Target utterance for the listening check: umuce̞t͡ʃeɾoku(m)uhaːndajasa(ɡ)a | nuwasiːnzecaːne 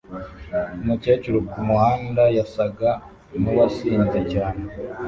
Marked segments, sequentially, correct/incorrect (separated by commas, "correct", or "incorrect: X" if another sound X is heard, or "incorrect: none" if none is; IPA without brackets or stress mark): correct, correct